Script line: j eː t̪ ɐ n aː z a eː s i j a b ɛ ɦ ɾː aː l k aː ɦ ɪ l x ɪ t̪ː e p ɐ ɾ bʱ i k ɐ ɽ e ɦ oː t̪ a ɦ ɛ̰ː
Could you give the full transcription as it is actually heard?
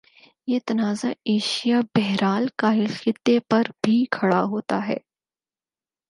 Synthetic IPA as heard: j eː t̪ ɐ n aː z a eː ʃ i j a b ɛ ɦ ɾ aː l k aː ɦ ɪ l x ɪ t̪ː e p ɐ ɾ bʱ i kʰ ɐ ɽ a ɦ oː t̪ a ɦ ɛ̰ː